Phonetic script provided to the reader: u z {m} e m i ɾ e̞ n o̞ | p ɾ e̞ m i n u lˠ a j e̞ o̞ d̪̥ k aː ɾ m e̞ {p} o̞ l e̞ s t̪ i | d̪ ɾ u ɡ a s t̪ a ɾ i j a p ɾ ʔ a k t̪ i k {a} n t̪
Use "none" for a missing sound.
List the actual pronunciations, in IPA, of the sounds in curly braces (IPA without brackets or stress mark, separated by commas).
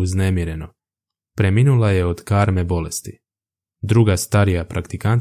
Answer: n, b, a